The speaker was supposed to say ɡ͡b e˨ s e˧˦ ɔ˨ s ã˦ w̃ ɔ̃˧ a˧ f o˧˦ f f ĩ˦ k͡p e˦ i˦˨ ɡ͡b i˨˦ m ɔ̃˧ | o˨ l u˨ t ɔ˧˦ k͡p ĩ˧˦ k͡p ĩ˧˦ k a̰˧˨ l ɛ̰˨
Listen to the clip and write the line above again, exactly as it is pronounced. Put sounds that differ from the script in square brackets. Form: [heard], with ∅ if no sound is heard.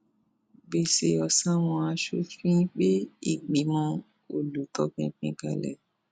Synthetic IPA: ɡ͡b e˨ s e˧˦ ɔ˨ s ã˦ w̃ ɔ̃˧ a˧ [ʃ] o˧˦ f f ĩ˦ k͡p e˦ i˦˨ ɡ͡b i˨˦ m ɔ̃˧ | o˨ l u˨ t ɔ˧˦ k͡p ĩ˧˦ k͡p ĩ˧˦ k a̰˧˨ l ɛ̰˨